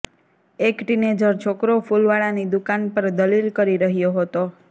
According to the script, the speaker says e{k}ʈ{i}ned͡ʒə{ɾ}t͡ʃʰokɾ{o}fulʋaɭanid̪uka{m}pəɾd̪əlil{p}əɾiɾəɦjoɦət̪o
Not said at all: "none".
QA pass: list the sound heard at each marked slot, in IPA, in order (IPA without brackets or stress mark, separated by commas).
k, i, ɾ, o, n, k